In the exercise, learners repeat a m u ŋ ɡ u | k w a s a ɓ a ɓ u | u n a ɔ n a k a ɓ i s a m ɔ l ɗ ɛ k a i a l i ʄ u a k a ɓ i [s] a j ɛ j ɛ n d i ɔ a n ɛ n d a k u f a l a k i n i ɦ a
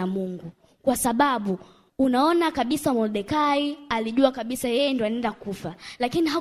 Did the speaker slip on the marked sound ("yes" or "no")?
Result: no